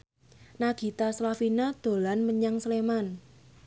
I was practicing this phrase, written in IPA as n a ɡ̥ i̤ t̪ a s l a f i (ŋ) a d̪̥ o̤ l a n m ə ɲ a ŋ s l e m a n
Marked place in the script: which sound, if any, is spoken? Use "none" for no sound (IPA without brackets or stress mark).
n